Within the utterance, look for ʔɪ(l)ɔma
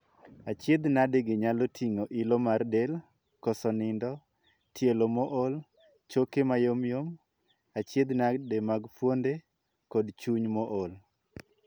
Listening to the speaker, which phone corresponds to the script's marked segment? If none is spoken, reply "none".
l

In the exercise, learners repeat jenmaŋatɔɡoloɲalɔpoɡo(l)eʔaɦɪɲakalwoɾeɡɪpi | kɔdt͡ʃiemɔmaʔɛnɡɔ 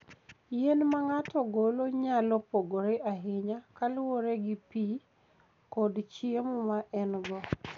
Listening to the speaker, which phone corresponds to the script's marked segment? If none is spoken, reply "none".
ɾ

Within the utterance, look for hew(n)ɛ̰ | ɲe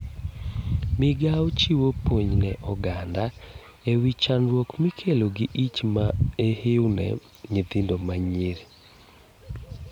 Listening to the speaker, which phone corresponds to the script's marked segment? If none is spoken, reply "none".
n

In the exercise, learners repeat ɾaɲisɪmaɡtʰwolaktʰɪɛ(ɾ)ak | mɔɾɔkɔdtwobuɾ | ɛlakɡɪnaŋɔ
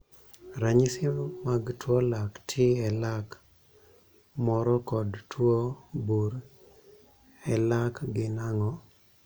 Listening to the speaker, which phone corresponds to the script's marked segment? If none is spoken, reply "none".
l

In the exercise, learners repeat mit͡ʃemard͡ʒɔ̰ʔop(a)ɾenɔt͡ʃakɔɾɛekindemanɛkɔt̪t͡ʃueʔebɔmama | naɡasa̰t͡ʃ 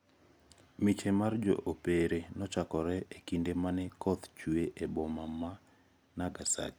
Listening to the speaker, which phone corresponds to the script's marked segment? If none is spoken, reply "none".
e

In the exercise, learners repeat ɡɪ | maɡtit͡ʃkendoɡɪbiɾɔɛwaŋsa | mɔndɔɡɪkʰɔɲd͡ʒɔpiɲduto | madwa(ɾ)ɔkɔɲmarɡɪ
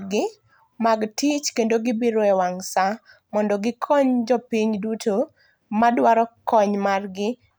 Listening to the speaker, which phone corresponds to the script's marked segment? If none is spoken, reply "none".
ɾ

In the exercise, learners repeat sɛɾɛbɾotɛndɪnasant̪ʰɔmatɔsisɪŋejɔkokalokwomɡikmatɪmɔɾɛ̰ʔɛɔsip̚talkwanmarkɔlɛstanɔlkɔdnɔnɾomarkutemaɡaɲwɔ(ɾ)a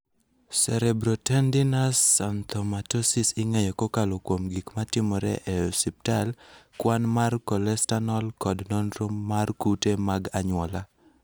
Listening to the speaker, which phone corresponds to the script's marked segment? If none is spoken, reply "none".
l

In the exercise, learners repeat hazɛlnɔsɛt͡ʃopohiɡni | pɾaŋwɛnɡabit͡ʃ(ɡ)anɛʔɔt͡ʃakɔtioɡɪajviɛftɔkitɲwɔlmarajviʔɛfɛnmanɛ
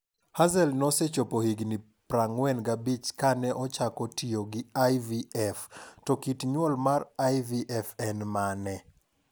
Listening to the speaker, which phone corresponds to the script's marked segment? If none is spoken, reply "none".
k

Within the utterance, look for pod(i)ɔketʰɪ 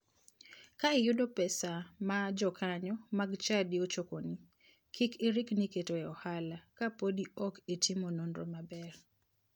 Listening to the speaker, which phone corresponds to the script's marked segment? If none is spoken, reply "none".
i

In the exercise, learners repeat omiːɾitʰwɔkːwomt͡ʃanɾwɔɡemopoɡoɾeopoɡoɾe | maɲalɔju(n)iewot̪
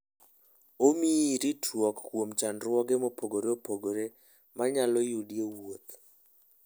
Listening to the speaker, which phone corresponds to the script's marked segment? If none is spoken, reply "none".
d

